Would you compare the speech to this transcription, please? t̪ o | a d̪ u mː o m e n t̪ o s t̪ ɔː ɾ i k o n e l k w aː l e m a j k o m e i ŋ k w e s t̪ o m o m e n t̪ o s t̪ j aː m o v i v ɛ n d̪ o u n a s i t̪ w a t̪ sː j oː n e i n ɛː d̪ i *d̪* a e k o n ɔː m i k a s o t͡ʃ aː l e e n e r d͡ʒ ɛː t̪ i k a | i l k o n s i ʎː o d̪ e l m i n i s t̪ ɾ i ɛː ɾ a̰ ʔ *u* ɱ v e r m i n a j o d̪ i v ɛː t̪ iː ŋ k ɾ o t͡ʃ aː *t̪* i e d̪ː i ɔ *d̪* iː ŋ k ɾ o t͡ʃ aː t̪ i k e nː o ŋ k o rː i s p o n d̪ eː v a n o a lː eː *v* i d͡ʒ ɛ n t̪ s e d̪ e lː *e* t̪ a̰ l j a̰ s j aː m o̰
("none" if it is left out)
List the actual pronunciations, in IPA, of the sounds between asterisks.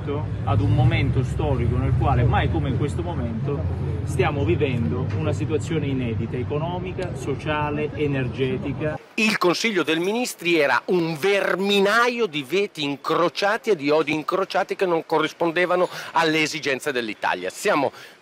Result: t̪, u, t̪, d̪, z, i

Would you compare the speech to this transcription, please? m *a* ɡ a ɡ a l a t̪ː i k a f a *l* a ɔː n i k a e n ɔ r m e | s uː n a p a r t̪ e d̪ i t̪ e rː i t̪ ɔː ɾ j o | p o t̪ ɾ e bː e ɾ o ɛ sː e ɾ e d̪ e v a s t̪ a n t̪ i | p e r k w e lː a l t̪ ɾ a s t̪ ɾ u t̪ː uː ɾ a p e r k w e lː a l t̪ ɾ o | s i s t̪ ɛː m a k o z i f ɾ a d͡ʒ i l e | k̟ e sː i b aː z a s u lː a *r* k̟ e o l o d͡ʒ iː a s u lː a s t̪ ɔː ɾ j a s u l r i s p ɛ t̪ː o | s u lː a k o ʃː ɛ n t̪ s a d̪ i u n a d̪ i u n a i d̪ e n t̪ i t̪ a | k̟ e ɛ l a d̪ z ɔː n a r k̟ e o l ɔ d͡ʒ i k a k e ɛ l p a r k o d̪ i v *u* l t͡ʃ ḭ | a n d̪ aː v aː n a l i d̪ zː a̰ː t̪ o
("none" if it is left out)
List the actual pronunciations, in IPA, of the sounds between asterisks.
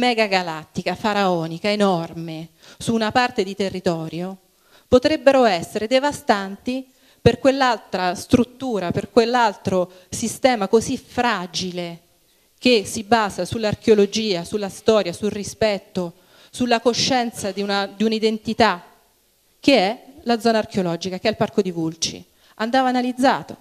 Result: ɛ, ɾ, r, u

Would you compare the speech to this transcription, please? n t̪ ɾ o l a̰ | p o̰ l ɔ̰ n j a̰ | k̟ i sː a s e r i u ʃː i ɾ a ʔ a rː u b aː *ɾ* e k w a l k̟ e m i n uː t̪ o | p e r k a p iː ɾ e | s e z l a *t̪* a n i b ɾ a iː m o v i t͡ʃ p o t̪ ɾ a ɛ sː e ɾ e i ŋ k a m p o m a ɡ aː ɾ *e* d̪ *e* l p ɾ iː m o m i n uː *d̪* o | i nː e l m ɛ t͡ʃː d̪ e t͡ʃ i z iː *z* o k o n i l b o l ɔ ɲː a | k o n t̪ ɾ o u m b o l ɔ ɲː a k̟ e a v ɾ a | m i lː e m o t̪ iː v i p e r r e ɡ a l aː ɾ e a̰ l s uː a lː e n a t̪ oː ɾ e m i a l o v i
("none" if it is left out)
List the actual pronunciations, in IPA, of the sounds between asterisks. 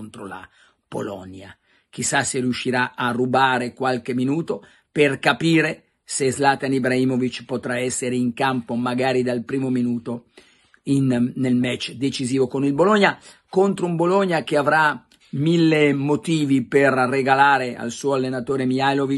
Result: ɾ, t̪, i, a, t̪, v

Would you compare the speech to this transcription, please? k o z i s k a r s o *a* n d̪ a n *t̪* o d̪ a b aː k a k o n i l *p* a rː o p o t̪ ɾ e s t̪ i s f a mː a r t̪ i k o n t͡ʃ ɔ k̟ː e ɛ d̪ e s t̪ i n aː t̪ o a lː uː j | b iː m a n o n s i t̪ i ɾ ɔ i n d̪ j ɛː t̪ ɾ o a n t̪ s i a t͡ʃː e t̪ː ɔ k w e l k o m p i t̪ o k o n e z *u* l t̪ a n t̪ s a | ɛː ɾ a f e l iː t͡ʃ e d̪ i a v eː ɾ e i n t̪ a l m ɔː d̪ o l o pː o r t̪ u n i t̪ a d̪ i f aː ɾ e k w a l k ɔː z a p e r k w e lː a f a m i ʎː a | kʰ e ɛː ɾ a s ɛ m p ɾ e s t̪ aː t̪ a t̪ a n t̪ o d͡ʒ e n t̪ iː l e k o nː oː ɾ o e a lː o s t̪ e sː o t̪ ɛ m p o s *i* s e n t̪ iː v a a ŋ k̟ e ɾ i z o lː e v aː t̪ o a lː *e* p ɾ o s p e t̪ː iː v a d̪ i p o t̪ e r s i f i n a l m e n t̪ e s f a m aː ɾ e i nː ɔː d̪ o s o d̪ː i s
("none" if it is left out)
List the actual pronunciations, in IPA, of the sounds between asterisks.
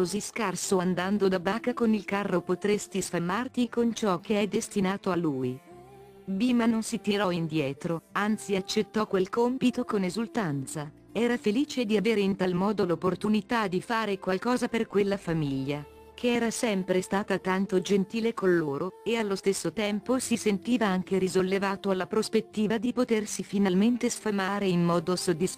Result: a, d̪, k, u, i, a

